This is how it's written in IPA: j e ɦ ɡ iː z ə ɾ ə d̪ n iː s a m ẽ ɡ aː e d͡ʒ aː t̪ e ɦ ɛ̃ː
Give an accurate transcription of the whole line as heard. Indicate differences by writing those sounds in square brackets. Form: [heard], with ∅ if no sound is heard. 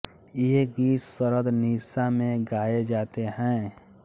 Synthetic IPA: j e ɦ ɡ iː [s] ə ɾ ə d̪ n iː s a m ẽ ɡ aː e d͡ʒ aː t̪ e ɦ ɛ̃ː